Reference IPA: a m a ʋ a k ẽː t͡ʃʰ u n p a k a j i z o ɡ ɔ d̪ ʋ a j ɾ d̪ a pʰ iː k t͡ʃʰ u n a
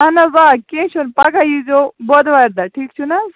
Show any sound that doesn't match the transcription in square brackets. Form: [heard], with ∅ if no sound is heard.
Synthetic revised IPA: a [n] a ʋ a k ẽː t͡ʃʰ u n p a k a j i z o [b] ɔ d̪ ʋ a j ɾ d̪ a [ʈʰ] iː k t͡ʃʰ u n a